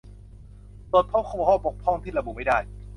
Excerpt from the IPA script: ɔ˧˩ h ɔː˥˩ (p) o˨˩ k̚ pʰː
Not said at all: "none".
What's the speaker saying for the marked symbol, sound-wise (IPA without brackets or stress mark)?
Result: p